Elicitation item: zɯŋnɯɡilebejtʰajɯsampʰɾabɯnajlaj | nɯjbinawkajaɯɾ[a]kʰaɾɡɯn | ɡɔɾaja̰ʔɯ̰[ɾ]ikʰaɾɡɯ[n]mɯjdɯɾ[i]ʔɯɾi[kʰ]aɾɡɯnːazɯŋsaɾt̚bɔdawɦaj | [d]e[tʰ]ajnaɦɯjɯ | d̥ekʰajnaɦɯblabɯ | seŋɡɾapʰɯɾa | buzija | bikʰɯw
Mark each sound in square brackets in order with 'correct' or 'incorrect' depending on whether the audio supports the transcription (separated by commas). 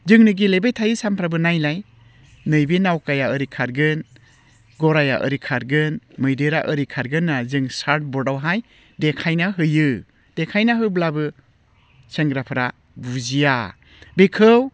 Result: incorrect, correct, correct, incorrect, correct, correct, incorrect